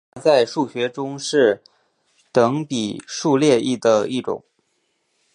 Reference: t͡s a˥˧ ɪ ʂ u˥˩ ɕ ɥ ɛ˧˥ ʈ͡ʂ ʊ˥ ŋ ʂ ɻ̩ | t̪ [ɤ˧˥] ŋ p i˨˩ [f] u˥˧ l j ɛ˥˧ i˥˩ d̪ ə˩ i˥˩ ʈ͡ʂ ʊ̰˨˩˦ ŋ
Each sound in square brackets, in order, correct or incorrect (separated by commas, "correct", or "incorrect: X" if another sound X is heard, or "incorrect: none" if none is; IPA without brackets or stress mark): correct, incorrect: ʂ